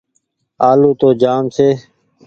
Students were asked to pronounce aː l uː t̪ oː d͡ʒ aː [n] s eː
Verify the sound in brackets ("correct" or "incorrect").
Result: incorrect